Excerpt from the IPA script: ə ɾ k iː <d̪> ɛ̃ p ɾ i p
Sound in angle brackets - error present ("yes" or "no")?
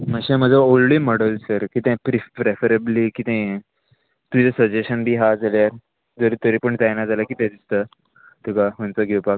yes